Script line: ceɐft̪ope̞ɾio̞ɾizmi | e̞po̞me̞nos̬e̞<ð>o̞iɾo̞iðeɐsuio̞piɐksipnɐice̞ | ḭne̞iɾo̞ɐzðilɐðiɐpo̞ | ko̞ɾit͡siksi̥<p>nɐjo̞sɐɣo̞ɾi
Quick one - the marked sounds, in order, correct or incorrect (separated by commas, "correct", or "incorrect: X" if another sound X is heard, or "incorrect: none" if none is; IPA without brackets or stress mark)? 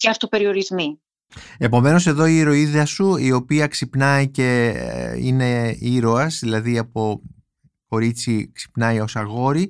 correct, correct